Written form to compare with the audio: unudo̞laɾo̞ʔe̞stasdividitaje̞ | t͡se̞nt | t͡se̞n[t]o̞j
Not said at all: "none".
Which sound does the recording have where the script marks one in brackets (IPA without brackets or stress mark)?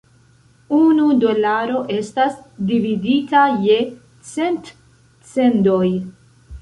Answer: d